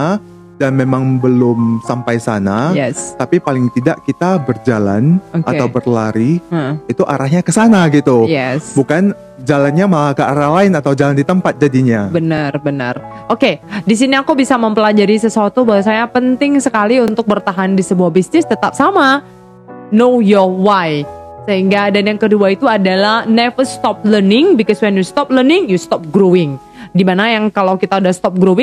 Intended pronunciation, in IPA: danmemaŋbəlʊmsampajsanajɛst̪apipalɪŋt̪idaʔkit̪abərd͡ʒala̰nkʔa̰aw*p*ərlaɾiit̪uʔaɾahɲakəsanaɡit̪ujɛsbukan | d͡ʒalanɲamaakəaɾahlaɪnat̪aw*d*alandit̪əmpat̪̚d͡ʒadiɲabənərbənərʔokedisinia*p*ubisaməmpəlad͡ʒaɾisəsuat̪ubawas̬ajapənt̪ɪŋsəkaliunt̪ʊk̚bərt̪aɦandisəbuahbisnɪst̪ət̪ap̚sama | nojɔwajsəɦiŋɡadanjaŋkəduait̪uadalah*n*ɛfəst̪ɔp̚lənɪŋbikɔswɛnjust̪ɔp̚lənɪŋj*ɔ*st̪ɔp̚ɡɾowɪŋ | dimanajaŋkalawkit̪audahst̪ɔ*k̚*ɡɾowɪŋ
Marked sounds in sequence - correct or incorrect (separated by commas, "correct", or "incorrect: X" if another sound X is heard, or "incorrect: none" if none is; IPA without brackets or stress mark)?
incorrect: b, incorrect: d͡ʒ, incorrect: k, correct, incorrect: u, incorrect: p̚